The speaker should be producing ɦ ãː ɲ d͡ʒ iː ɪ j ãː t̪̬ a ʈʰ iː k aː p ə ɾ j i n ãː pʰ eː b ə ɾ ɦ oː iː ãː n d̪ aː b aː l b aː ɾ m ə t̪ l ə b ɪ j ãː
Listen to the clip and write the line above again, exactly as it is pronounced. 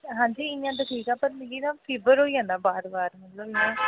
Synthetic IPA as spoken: ɦ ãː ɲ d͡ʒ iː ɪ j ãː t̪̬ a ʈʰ iː k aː p ə ɾ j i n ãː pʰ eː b ə ɾ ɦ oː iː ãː n d̪ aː b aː ɾ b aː ɾ m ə t̪ l ə b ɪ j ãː